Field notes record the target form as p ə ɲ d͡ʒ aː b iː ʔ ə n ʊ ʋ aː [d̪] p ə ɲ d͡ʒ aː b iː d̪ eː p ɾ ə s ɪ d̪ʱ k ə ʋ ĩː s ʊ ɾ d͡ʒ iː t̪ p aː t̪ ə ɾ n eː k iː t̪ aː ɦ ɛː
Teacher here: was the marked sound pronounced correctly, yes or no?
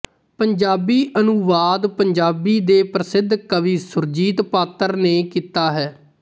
yes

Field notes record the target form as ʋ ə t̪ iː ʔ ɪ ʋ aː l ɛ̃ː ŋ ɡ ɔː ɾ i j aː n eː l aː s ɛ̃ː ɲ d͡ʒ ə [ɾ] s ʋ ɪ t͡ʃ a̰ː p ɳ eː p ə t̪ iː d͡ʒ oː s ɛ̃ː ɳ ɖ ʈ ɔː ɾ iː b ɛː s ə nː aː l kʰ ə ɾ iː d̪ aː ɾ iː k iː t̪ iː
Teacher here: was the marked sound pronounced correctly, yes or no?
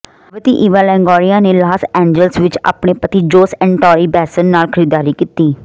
no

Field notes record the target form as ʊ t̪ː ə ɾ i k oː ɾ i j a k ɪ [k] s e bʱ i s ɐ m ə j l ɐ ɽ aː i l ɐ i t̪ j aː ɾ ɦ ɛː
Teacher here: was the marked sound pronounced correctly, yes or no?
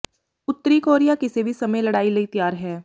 no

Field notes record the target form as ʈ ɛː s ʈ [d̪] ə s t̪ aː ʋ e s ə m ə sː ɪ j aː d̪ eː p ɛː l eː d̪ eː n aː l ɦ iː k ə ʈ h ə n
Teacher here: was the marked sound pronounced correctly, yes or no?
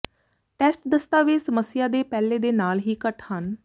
yes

